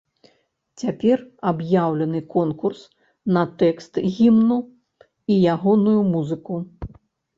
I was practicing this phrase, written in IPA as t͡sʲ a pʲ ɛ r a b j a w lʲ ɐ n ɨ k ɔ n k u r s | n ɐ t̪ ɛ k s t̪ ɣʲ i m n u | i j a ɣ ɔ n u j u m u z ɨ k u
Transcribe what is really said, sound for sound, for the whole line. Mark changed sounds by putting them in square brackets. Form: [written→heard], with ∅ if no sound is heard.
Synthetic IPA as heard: t͡sʲ a pʲ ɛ r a b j a w lʲ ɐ n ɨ k ɔ n k u r s | n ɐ t̪ ɛ k s t̪ ɣʲ i m n u | i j a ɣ ɔ n u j u m u z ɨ k u